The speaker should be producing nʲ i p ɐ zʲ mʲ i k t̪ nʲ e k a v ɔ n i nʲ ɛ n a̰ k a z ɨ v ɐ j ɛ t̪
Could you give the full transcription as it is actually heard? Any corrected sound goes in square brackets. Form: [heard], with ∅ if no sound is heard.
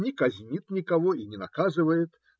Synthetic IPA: nʲ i [k] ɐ zʲ [nʲ] i [∅] t̪ nʲ [i] k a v ɔ [∅] i nʲ ɛ n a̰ k a z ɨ v ɐ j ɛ t̪